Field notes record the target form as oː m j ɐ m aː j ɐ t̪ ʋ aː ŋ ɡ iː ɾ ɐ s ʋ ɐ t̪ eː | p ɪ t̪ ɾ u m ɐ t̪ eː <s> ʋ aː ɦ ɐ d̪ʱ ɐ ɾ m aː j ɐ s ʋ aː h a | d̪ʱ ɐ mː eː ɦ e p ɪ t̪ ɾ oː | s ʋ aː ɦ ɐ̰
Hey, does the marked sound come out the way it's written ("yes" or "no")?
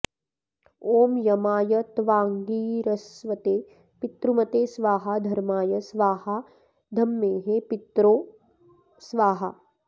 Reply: yes